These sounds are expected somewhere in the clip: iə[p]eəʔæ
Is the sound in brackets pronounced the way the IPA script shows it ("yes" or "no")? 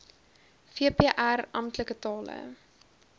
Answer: yes